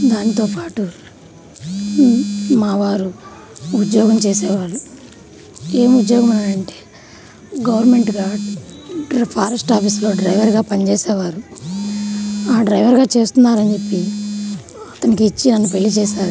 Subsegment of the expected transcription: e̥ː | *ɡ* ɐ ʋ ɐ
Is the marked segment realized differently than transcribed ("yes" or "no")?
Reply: no